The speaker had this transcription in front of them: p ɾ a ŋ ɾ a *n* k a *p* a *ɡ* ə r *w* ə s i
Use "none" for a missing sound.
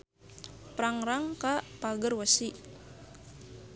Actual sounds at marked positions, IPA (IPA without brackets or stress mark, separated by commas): ŋ, p, ɡ, w